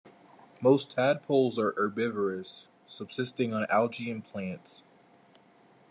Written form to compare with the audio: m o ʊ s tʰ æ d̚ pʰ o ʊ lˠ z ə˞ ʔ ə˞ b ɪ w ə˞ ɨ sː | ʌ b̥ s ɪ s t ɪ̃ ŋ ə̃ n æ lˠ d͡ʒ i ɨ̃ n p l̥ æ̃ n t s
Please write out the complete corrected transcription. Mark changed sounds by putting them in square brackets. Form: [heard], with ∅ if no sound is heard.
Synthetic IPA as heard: m o ʊ s tʰ æ d̚ pʰ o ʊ lˠ z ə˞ ʔ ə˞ b ɪ [v] ə˞ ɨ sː | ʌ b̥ s ɪ s t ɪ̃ ŋ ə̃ n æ lˠ d͡ʒ i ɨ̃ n [pʰ] l̥ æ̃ n t s